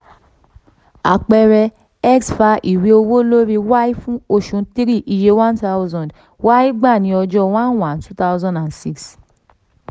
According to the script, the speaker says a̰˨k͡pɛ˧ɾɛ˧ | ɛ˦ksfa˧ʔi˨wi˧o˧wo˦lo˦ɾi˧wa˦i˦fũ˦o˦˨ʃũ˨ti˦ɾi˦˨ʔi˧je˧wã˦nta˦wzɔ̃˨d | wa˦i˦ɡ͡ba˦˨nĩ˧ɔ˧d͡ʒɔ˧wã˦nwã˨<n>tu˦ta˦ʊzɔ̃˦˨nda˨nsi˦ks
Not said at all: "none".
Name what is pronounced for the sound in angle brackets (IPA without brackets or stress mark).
n